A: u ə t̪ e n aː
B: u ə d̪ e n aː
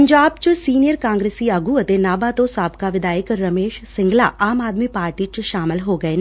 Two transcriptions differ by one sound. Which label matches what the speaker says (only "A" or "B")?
A